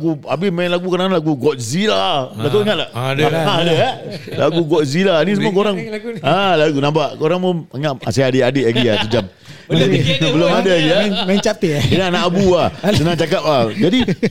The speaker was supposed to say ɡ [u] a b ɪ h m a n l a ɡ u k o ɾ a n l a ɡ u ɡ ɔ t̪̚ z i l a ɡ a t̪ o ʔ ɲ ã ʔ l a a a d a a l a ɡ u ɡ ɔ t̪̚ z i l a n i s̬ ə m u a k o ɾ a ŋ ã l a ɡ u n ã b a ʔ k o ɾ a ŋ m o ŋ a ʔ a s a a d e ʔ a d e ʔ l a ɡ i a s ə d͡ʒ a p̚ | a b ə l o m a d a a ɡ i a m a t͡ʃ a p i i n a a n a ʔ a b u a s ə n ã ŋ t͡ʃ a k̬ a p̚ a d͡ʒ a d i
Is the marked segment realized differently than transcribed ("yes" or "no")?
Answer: no